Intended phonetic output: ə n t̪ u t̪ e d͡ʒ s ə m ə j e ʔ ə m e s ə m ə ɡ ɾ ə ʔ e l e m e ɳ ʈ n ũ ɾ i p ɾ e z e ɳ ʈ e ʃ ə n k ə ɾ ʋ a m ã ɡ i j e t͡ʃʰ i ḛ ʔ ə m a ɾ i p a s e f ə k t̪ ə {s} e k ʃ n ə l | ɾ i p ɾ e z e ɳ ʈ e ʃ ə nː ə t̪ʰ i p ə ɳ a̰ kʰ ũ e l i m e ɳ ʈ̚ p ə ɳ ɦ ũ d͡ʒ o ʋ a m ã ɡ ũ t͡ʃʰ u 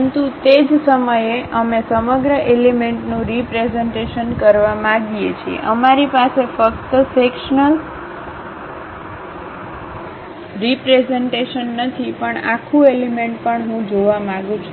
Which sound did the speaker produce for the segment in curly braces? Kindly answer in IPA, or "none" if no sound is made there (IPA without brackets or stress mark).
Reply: s